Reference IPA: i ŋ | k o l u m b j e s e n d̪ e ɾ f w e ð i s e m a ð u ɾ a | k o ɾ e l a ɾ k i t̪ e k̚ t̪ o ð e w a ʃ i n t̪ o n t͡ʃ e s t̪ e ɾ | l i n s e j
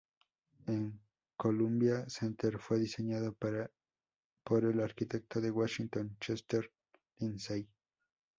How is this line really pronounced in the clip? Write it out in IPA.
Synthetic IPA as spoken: e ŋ | k o l u m b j a s e n t̪ e ɾ f w e ð i s e ɲ a ð o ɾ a | p o ɾ e l a ɾ k i t̪ e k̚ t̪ o ð e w a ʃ i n t̪ o n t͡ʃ e s t̪ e ɾ | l i n s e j

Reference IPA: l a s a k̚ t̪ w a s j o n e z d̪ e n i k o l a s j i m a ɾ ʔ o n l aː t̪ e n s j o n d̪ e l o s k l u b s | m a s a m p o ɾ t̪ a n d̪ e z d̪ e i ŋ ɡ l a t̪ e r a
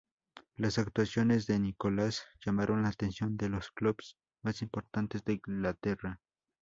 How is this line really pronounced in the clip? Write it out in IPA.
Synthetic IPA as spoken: l a s a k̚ t̪ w a s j o n e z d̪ e n i k o l a s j a m a ɾ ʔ o n l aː t̪ e n s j o n d̪ e l o s k l u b s | m a s i m p o ɾ t̪ a n t̪ e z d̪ e i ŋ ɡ l a t̪ e r a

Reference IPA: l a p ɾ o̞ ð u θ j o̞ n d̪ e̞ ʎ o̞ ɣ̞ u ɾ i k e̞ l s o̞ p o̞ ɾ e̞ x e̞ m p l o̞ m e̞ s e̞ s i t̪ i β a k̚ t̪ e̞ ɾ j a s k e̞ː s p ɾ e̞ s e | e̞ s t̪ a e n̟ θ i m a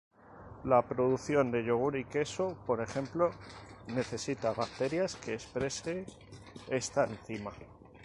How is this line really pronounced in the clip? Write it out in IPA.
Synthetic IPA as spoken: l a p ɾ o̞ ð u θ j o̞ n d̪ e̞ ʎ o̞ ɣ̞ u ɾ i k e̞ s o̞ p o̞ ɾ e̞ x e̞ m p l o̞ n e̞ θ e̞ s i t̪ a β a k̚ t̪ e̞ ɾ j a s k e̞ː s p ɾ e̞ s e | e̞ s t̪ a e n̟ θ i m a

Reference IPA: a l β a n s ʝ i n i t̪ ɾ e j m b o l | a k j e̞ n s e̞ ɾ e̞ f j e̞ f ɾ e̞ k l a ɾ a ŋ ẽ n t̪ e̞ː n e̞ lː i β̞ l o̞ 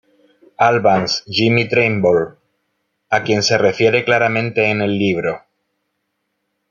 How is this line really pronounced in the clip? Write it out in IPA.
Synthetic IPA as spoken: a l β a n s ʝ i m i t̪ ɾ e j m b o l | a k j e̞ n s e̞ r e̞ f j e̞ ɾ e̞ k l a ɾ a m ẽ n t̪ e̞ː n e̞ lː i β̞ ɾ o̞

